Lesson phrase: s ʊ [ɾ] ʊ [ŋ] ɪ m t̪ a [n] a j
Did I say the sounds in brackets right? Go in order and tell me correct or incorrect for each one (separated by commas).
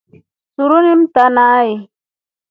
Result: correct, incorrect, correct